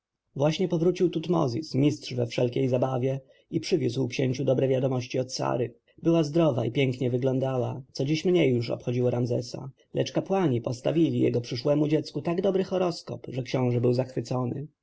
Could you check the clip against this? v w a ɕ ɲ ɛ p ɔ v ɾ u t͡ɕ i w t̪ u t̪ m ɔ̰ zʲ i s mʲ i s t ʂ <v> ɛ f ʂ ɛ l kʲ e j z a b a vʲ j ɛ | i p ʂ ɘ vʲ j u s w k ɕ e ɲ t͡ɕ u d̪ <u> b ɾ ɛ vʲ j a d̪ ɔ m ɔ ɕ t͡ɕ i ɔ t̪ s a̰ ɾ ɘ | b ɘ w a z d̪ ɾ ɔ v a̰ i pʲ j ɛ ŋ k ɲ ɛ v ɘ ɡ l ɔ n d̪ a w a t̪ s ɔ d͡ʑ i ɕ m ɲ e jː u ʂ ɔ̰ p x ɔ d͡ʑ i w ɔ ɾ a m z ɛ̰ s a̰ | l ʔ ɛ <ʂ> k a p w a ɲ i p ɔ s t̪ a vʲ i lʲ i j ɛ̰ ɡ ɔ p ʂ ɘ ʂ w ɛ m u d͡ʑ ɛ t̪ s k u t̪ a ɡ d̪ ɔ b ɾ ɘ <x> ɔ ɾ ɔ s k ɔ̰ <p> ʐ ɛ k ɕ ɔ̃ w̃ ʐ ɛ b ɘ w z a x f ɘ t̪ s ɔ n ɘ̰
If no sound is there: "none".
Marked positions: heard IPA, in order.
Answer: v, ɔ, t͡ʂ, x, p

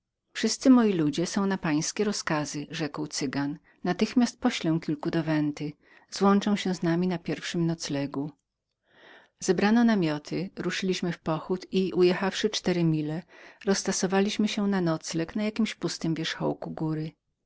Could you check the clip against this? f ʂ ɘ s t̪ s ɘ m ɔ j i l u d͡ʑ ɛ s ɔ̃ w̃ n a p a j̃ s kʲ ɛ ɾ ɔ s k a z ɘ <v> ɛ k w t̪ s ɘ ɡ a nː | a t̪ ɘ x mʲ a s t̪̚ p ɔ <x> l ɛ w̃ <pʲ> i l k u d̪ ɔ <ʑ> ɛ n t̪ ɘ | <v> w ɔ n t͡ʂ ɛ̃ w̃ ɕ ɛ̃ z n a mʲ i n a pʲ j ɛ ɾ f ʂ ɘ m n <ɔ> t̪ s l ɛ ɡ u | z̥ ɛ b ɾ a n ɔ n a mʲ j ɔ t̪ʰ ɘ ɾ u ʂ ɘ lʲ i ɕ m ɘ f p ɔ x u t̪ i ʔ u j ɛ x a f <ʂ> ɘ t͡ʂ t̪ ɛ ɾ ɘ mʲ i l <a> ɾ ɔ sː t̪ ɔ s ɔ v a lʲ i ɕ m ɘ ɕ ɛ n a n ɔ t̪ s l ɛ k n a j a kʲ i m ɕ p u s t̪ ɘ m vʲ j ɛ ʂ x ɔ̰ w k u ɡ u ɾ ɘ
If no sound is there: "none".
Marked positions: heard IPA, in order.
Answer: ʐ, ɕ, kʲ, v, z, ɔ, ʂ, ɛ

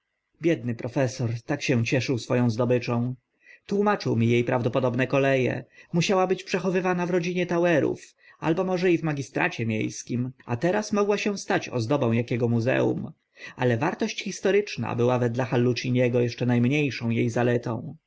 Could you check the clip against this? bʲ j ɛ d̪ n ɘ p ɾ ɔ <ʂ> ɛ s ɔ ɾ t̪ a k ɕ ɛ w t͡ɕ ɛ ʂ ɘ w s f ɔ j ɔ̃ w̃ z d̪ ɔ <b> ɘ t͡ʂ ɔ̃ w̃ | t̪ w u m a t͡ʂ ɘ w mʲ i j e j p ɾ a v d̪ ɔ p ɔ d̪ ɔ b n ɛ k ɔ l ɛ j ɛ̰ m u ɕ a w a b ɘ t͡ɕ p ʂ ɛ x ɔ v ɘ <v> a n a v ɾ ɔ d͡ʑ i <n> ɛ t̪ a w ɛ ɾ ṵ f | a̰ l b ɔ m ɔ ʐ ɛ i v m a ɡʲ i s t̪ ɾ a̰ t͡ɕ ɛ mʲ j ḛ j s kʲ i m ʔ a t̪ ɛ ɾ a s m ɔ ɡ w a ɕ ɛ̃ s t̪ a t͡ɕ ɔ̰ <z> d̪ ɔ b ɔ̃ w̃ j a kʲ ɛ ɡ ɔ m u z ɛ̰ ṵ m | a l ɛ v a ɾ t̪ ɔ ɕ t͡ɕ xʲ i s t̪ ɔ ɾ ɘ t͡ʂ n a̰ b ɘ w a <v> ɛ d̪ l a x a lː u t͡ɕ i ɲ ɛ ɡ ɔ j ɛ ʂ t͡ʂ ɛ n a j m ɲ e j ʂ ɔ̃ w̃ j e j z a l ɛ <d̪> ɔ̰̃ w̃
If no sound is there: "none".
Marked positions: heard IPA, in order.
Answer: f, b, v, ɲ, z, v, t̪

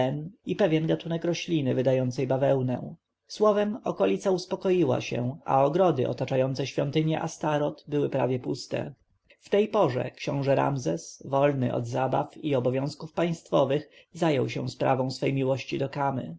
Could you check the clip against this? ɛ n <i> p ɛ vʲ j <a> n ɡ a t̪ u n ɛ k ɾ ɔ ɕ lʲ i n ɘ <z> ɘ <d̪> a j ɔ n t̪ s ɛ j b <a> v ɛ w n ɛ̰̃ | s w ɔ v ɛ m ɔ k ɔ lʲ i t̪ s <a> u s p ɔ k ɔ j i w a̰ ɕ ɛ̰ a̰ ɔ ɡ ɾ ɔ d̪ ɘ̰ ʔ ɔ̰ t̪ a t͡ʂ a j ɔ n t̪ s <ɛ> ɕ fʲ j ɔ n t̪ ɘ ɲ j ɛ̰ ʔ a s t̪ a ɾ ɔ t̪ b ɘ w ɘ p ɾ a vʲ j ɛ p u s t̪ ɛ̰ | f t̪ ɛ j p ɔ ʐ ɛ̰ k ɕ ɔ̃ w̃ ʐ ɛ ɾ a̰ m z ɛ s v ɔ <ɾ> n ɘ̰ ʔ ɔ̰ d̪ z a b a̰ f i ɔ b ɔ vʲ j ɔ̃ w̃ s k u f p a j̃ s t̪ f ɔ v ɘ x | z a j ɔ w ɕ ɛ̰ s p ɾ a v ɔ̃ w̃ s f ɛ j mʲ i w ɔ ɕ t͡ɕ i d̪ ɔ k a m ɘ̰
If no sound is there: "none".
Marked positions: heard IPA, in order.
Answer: i, ɛ, v, d̪, a, a, ɛ, l

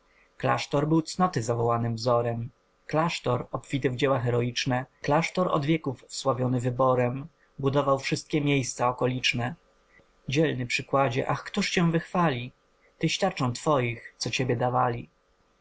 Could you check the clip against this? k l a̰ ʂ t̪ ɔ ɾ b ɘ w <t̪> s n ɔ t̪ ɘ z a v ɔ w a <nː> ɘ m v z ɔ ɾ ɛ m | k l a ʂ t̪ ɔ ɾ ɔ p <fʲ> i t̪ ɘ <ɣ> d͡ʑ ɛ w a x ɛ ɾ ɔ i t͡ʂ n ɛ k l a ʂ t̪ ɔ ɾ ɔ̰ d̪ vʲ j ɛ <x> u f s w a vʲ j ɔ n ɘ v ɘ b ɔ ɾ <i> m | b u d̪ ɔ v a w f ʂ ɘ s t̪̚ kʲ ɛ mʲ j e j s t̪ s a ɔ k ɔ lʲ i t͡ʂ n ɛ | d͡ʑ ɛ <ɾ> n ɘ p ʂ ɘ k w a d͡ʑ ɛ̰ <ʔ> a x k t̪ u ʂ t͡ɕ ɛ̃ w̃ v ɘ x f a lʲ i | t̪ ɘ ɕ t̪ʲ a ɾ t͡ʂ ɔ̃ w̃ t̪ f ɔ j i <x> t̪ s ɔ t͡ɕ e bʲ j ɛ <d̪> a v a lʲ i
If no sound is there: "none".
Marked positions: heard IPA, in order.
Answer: t̪, n, fʲ, v, k, ɛ, l, ʔ, x, d̪

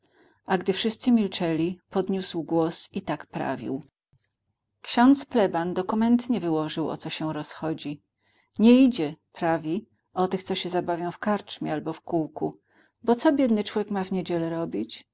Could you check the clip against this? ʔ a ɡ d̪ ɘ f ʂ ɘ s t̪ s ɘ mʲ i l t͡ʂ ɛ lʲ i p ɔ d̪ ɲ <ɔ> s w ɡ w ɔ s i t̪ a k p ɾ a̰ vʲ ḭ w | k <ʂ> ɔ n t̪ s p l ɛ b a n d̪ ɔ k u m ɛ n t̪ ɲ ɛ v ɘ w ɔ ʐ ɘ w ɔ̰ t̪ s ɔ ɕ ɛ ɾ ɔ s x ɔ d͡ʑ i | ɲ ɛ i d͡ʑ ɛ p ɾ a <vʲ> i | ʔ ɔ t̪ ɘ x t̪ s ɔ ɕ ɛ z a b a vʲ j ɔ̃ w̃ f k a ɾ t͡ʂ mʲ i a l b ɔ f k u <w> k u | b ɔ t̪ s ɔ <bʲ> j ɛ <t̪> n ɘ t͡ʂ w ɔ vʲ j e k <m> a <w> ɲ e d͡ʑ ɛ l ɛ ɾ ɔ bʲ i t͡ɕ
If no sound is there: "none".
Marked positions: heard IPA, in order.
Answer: u, ɕ, vʲ, w, bʲ, d̪, m, v

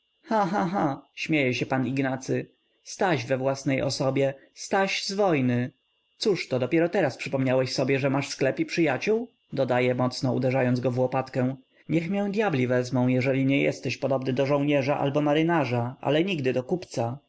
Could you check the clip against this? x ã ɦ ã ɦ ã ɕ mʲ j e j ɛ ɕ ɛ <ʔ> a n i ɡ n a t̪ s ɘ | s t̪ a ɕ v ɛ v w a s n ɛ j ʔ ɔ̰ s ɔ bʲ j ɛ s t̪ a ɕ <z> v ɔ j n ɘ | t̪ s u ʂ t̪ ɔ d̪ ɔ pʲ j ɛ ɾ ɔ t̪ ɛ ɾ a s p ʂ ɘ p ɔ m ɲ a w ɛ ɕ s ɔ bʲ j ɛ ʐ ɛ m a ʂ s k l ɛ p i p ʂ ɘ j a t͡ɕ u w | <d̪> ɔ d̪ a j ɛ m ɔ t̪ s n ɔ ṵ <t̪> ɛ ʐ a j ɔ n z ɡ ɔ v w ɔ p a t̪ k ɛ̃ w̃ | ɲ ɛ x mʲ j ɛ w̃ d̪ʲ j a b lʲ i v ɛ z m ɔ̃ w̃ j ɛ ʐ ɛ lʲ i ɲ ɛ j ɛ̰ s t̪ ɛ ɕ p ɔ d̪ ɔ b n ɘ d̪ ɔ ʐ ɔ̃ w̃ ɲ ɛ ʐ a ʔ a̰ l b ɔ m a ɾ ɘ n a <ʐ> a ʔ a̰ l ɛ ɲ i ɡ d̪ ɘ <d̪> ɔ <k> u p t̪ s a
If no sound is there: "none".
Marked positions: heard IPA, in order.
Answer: p, z, d̪, d̪, ʐ, d̪, k

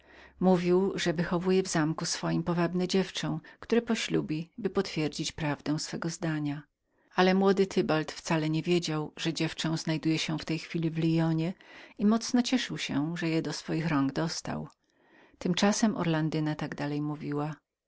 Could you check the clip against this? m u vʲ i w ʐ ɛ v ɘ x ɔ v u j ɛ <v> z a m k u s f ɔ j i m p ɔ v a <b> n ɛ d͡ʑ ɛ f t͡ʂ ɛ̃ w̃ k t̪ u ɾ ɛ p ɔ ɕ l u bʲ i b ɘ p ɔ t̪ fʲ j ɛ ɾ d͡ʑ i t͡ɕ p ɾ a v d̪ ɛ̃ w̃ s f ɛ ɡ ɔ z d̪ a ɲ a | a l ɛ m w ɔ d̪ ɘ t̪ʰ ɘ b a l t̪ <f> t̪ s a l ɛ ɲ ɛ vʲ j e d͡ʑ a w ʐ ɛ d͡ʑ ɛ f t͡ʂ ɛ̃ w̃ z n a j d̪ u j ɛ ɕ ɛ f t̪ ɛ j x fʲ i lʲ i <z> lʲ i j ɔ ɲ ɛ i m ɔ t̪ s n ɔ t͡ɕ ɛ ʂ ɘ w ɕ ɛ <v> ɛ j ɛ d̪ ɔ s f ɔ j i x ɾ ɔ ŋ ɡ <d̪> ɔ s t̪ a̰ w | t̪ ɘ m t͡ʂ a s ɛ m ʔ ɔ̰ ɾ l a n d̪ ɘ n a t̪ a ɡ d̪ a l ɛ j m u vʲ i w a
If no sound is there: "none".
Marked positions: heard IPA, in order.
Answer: v, b, f, v, ʐ, d̪

